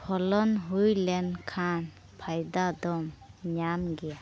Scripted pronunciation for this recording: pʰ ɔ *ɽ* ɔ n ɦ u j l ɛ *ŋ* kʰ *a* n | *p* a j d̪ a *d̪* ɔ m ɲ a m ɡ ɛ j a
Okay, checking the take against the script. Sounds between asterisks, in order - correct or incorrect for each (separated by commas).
incorrect, incorrect, correct, incorrect, correct